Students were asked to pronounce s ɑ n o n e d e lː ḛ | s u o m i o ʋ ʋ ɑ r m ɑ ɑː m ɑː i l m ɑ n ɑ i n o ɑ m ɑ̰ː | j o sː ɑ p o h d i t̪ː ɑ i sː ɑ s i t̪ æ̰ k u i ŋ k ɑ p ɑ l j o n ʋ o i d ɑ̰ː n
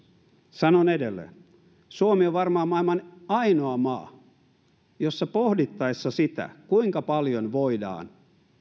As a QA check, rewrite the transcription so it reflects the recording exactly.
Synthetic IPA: s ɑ n o n e d e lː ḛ | s u o m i o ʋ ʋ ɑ r m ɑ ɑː m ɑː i l m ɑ n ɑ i n o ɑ m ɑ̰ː | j o sː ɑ p o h d i t̪ː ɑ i sː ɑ s i t̪ æ̰ k u i ŋ k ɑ p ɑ l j o n ʋ o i d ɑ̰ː n